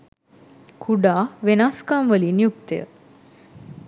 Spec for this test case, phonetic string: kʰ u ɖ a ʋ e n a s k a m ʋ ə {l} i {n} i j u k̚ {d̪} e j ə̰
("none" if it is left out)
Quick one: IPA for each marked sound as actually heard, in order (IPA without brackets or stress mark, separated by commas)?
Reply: l, n, t̪